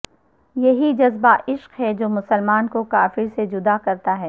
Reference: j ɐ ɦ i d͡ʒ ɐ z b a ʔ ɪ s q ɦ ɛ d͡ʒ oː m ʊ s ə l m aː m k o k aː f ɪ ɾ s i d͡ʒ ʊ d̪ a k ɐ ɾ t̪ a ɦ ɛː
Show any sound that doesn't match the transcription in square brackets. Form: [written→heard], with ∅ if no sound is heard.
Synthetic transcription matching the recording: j ɐ ɦ i d͡ʒ ɐ z b a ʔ ɪ [s→ʃ] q ɦ ɛ d͡ʒ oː m ʊ s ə l m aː [m→n] k o k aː f ɪ ɾ s [i→e] d͡ʒ ʊ d̪ a k ɐ ɾ t̪ a ɦ ɛː

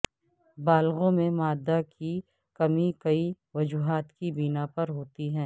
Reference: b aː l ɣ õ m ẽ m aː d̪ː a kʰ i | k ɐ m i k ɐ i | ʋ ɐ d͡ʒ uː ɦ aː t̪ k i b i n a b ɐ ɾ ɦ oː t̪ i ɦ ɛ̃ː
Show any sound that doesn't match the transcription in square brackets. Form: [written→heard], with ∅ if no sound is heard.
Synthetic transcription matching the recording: b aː l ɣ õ m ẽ m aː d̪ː a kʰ i | k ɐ m i k ɐ i | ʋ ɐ d͡ʒ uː ɦ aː t̪ k i b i n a [b→p] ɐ ɾ ɦ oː t̪ i ɦ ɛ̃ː

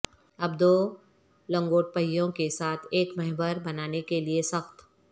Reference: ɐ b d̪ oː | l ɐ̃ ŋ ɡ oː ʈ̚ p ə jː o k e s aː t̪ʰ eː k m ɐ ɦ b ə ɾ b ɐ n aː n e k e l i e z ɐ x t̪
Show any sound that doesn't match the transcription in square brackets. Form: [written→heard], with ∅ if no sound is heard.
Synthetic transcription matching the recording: ɐ b d̪ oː | l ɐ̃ ŋ ɡ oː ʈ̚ p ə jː [o→õ] k e s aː t̪ʰ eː k m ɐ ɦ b ə ɾ b ɐ n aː n e k e l i e [z→s] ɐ x t̪

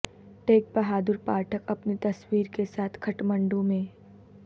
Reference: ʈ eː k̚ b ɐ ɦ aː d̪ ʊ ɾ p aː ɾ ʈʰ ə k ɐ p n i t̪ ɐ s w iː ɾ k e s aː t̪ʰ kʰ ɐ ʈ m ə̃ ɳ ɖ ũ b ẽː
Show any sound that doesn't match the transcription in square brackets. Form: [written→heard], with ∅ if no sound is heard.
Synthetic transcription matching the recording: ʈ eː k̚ b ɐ ɦ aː d̪ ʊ ɾ p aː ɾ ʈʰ ə k ɐ p n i t̪ ɐ s w iː ɾ k e s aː t̪ʰ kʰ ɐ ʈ m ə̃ ɳ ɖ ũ [b→m] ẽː

